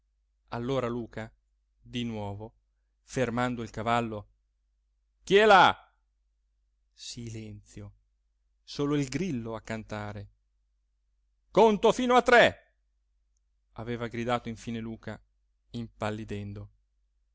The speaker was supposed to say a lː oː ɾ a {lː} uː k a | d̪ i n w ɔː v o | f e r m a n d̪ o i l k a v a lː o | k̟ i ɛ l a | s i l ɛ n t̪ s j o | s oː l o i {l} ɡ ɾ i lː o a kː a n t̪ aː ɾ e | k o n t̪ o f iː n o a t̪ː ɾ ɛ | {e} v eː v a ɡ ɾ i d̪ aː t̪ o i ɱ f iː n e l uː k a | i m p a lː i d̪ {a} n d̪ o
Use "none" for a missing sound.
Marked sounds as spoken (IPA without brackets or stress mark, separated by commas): l, l, a, ɛ